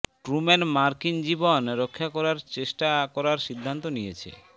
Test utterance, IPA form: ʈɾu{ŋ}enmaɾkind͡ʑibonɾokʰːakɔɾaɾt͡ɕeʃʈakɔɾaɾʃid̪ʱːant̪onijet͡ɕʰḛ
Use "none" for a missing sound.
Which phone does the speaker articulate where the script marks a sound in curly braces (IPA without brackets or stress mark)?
m